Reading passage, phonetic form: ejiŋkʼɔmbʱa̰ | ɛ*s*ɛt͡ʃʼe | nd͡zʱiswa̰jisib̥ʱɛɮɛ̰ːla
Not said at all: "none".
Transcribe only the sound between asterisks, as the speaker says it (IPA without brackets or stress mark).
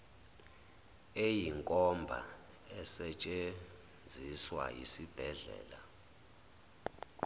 s